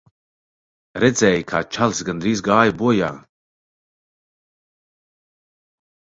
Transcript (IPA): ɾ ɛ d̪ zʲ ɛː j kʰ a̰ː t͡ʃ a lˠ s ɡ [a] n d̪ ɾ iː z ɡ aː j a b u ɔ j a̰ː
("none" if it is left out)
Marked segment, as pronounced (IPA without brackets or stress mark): a